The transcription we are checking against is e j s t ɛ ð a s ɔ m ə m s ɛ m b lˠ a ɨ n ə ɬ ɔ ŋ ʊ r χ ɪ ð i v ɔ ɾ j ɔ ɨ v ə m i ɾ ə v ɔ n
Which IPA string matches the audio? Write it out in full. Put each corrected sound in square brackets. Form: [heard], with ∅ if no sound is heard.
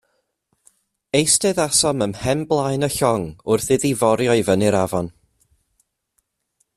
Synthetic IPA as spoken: e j s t ɛ ð a s ɔ m ə m [h] ɛ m b lˠ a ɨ n ə ɬ ɔ ŋ ʊ r [θ] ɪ ð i v ɔ ɾ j ɔ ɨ v ə [n] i ɾ [a] v ɔ n